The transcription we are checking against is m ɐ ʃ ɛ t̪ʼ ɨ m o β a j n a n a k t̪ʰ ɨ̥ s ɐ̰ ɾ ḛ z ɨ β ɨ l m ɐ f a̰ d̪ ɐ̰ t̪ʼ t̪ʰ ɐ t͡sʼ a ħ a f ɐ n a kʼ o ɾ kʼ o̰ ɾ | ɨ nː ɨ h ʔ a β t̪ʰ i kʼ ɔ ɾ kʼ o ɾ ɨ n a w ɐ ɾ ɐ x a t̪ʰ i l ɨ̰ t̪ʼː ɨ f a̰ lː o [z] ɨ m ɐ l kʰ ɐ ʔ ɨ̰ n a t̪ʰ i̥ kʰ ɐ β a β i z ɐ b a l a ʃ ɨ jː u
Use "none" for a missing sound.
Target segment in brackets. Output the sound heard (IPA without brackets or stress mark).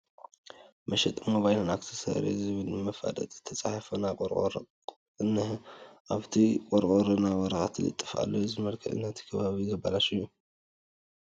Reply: z